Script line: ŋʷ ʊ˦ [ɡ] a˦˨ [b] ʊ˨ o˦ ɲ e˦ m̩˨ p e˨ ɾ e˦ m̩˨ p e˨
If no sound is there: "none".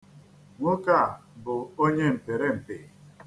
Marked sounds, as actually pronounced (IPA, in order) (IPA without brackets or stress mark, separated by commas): k, b